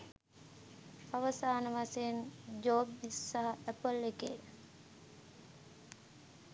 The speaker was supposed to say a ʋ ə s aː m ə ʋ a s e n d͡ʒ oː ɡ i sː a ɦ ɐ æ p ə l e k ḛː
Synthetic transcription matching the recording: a ʋ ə s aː n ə ʋ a s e n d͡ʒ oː b i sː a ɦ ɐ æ p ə l e k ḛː